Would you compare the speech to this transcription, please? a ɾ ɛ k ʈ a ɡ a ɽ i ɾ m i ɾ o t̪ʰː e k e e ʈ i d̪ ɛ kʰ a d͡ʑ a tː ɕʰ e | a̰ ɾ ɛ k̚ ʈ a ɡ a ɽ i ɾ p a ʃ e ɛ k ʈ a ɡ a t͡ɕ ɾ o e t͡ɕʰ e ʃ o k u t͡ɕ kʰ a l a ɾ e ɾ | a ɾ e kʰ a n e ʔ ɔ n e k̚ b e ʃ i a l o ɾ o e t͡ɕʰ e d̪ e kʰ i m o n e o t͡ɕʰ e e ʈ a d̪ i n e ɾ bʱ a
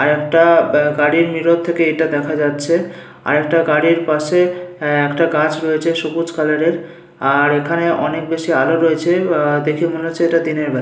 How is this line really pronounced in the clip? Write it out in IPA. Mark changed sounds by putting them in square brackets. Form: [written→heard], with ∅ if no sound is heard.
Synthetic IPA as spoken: a ɾ ɛ k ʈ a ɡ a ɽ i ɾ m i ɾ o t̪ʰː e k e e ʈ [i→a] d̪ ɛ kʰ a d͡ʑ a tː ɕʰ e | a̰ ɾ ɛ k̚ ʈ a ɡ a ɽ i ɾ p a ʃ e ɛ k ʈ a ɡ a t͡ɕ ɾ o e t͡ɕʰ e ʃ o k u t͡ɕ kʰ a l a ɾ e ɾ | a ɾ e kʰ a n e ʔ ɔ n e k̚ b e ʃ i a l o ɾ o e t͡ɕʰ e d̪ e kʰ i m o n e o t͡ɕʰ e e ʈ a d̪ i n e ɾ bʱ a